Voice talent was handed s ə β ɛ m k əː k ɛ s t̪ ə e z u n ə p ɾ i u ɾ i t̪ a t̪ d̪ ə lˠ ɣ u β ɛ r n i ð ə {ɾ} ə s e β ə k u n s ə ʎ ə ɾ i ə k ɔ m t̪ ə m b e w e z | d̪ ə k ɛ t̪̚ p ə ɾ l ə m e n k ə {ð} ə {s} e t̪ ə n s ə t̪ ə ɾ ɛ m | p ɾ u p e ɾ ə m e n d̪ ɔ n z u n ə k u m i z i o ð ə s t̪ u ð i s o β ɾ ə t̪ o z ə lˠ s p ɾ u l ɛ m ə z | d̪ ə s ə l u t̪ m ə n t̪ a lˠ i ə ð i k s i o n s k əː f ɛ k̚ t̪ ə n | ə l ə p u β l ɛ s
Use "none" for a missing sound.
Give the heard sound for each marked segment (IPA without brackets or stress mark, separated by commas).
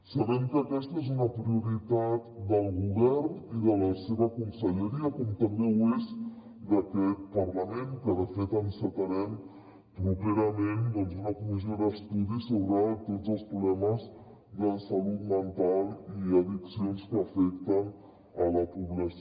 l, ð, f